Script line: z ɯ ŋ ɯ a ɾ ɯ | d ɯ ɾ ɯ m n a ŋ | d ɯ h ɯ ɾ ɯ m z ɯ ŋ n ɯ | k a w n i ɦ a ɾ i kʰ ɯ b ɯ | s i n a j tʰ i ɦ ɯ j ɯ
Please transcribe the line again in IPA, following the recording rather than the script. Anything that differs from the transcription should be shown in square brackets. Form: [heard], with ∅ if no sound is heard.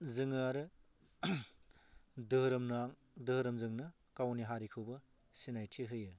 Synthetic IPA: z ɯ ŋ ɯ a ɾ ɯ | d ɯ ɾ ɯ m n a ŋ | d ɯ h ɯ ɾ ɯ m z ɯ ŋ n ɯ | k a w n i ɦ a ɾ i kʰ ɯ b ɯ | s i n a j tʰ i ɦ ɯ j ɯ